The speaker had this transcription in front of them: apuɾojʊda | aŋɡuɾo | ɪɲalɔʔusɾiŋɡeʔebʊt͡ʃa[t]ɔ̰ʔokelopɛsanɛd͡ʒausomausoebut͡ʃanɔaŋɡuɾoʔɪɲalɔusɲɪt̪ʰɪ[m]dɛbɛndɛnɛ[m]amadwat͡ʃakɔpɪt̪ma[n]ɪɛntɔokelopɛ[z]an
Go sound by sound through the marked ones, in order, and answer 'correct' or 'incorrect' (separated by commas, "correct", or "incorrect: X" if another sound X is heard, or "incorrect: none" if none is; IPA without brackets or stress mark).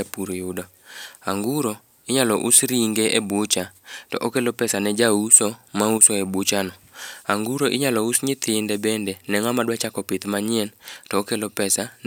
correct, incorrect: n, incorrect: ŋ, incorrect: ɲ, incorrect: s